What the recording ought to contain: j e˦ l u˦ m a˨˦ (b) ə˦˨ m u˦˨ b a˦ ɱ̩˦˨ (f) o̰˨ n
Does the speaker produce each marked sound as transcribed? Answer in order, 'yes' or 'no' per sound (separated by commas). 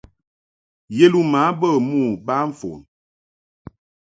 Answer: yes, yes